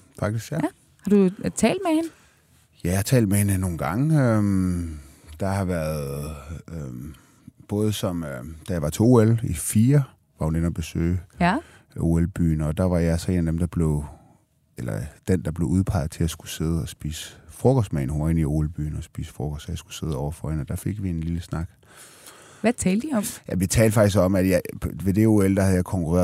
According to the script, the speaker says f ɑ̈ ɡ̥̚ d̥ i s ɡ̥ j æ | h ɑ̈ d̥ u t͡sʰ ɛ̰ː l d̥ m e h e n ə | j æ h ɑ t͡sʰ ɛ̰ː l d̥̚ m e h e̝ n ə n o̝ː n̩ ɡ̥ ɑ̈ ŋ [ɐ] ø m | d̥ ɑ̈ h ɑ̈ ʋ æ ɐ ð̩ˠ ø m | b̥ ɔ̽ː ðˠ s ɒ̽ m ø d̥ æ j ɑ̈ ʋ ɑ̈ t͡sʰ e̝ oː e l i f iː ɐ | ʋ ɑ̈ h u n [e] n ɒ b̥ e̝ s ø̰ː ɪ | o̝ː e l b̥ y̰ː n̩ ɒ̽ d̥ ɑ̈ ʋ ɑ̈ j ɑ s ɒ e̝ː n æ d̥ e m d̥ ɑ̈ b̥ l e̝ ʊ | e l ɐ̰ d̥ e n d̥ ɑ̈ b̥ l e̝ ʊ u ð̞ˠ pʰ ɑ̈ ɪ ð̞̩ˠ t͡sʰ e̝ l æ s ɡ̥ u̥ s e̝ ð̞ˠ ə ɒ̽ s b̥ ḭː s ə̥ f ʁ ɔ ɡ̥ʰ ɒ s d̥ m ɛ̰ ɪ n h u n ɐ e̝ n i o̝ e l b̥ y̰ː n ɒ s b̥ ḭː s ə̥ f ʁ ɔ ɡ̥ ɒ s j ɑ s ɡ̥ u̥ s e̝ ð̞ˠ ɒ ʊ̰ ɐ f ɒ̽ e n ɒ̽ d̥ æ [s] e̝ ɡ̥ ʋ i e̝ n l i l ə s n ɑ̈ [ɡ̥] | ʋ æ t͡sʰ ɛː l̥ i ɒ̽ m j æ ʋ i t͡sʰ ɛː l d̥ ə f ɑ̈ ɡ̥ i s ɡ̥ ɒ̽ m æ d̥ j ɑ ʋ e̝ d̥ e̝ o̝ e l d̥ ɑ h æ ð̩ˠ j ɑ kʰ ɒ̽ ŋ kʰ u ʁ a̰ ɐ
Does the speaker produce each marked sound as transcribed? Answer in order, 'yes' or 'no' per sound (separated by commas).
no, yes, no, yes